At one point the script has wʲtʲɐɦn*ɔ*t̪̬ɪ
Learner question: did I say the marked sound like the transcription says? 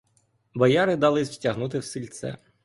no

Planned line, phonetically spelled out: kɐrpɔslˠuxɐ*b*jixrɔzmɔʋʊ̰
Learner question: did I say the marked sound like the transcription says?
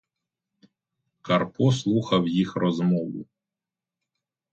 no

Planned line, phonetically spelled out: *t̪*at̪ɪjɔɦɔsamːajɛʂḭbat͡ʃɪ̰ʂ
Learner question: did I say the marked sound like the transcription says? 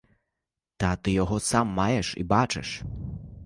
yes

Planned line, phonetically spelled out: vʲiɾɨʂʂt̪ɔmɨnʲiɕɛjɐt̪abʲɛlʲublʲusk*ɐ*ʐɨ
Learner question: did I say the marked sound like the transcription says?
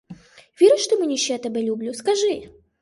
no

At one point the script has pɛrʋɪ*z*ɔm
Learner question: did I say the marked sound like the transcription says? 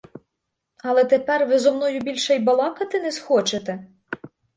yes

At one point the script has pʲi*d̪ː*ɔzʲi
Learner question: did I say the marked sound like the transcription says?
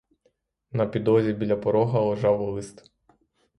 no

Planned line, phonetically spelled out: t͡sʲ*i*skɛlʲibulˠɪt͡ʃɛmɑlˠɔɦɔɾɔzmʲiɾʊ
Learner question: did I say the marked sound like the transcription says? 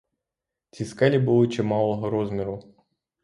yes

